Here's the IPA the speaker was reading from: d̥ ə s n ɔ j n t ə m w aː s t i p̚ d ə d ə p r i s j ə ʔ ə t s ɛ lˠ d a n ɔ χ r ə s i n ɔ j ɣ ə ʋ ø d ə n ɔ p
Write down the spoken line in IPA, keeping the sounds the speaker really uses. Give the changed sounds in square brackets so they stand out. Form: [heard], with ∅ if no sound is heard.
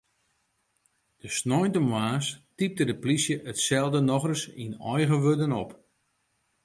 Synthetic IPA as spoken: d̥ ə s n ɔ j n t ə m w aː s t i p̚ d ə d ə p [l] i s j ə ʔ ə t s ɛ lˠ d [ə] n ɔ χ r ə s i n ɔ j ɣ ə ʋ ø d ə n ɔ p